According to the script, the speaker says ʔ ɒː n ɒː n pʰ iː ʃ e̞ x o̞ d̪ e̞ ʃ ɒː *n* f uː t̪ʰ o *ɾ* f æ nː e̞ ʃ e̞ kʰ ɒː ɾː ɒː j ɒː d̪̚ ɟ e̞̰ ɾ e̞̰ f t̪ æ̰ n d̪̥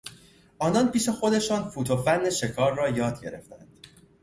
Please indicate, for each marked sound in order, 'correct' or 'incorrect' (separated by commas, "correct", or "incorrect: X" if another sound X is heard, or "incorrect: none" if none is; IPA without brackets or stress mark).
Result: correct, incorrect: none